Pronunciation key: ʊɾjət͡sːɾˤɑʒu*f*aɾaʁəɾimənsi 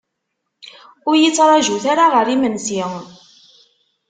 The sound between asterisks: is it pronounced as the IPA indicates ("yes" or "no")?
no